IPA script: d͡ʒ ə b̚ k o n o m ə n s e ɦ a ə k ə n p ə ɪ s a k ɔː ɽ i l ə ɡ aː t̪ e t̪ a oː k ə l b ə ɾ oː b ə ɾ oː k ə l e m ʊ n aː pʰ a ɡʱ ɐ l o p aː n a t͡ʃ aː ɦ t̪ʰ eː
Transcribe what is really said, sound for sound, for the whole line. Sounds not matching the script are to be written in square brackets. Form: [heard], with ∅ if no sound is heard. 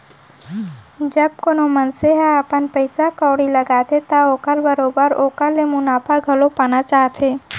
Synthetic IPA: d͡ʒ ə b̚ k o n o m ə n s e ɦ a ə [p] ə n p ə ɪ s a k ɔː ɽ i l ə ɡ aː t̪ e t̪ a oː k ə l b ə ɾ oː b ə ɾ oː k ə l e m ʊ n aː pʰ a ɡʱ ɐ l o p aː n a t͡ʃ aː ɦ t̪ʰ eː